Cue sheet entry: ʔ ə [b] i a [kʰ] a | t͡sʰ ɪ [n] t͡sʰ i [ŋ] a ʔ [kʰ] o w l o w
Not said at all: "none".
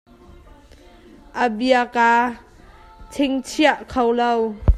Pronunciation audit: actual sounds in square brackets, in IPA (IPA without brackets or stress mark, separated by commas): b, k, ŋ, none, kʰ